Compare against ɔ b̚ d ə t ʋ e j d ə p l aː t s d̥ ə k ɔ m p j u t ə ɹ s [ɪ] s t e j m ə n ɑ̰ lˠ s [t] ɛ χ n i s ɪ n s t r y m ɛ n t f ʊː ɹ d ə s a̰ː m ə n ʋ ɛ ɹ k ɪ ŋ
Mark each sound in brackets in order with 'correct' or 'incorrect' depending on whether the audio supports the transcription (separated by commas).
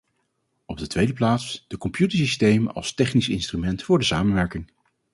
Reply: incorrect, correct